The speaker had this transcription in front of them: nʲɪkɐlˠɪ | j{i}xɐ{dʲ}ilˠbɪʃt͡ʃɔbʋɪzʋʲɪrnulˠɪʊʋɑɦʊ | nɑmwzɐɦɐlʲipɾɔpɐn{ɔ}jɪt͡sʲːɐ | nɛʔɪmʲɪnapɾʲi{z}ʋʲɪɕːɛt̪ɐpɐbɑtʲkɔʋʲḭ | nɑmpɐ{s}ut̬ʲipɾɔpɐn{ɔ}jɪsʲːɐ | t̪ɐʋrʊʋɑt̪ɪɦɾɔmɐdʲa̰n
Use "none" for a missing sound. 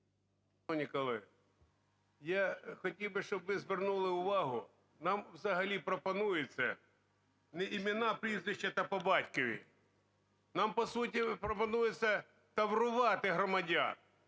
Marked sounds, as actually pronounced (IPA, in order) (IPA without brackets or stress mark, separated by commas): a, tʲ, u, z, s, u